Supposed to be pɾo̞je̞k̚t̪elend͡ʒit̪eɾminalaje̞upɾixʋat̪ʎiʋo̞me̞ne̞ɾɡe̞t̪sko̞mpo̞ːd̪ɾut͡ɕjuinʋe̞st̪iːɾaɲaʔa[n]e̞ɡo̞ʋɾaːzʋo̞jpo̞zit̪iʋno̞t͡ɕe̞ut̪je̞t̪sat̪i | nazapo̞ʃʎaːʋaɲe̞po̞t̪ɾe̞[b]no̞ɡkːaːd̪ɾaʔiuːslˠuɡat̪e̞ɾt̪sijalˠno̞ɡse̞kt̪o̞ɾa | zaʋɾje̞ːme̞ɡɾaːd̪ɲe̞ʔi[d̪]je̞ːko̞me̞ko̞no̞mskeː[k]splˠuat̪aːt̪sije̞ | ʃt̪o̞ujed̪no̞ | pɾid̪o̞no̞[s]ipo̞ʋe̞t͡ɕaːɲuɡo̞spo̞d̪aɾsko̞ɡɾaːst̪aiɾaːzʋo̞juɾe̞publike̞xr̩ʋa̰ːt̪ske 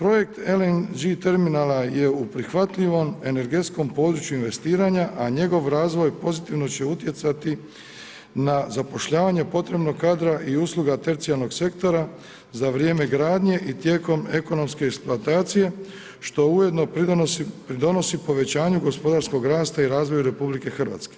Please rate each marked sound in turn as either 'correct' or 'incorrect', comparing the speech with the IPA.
incorrect: ɲ, correct, incorrect: t̪, correct, correct

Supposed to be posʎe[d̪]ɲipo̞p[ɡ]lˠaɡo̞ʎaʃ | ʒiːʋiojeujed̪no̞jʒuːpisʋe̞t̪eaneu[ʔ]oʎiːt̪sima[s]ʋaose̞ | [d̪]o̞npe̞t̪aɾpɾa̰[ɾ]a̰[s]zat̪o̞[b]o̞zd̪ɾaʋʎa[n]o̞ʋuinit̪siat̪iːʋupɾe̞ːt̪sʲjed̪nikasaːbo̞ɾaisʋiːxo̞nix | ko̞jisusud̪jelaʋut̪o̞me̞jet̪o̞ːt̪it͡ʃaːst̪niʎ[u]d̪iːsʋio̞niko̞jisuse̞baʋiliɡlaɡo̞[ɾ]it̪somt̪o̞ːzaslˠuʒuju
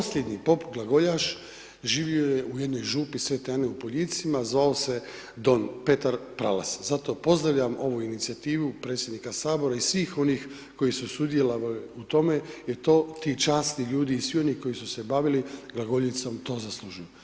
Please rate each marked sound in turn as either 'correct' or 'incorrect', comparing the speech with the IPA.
correct, correct, incorrect: p, incorrect: z, correct, incorrect: l, correct, incorrect: p, incorrect: m, incorrect: uː, incorrect: ʎ

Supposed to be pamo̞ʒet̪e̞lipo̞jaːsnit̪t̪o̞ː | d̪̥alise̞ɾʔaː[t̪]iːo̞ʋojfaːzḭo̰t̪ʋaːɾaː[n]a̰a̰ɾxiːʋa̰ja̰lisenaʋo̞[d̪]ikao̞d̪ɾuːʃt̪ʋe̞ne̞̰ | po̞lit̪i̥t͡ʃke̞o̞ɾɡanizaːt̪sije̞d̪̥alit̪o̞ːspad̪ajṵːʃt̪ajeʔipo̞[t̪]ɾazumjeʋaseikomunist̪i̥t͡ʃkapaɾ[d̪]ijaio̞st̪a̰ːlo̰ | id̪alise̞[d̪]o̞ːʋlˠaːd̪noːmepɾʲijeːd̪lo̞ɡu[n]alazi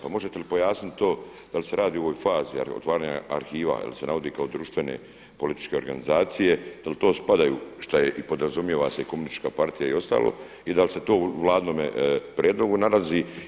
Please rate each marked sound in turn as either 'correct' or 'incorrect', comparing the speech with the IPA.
incorrect: d̪, incorrect: ɲ, correct, incorrect: d̪, incorrect: t̪, incorrect: t̪, correct

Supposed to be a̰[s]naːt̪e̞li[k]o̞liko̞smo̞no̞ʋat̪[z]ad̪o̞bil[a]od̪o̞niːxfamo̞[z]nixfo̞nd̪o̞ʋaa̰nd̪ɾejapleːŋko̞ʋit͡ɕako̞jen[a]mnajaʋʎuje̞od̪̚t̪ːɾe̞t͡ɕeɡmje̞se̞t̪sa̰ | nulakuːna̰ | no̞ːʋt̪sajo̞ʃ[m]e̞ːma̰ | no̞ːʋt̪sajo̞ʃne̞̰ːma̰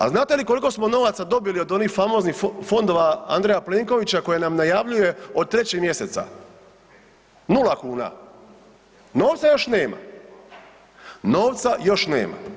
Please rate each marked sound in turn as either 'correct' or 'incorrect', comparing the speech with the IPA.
incorrect: z, correct, incorrect: s, incorrect: i, correct, correct, incorrect: n

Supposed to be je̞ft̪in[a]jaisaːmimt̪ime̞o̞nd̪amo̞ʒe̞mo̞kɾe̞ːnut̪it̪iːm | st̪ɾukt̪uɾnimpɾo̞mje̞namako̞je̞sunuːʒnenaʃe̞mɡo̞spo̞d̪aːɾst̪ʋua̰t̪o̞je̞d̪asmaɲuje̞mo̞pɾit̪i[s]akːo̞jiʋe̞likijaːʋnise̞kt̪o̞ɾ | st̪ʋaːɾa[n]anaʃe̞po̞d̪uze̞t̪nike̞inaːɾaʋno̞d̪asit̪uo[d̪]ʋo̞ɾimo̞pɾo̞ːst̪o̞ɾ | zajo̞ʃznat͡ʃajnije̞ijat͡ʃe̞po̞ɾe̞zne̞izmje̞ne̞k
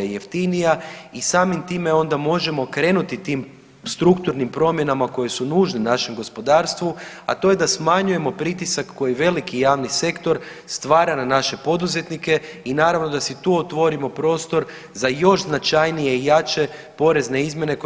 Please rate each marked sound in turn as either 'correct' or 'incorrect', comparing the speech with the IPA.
incorrect: i, correct, correct, incorrect: t̪

